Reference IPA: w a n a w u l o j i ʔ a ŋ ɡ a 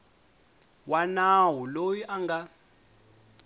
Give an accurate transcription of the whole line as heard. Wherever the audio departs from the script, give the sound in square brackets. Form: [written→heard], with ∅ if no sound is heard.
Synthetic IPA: w a n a w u l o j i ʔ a ŋ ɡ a